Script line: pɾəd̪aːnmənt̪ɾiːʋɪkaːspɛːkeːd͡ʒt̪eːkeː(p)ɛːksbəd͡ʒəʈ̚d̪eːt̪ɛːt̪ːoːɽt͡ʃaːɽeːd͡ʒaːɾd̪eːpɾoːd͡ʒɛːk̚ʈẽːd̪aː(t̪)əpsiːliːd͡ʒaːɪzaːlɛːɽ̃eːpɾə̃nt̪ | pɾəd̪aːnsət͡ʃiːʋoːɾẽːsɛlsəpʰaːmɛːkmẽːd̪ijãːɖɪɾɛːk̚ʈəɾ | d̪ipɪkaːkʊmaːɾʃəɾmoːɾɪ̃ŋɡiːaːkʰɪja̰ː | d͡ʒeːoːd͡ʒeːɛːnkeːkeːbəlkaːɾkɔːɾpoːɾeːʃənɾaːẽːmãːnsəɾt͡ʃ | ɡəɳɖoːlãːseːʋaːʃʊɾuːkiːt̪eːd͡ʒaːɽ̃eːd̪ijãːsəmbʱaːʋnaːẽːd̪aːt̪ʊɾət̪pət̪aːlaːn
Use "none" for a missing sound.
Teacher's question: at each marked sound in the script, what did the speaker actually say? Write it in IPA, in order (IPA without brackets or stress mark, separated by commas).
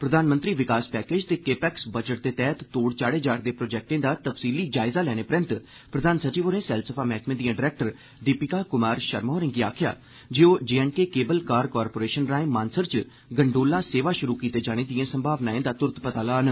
p, t̪